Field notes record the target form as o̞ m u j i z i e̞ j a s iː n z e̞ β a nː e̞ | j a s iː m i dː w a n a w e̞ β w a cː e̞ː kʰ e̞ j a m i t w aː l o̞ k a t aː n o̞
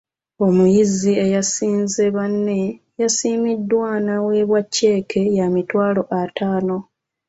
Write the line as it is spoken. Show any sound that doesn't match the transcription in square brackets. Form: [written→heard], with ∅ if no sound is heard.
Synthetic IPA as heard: o̞ m u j i z i e̞ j a s iː n z e̞ β a nː e̞ | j a s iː m i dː w a n a w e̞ β w a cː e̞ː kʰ e̞ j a m i t w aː l o̞ [k→ʔ] a t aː n o̞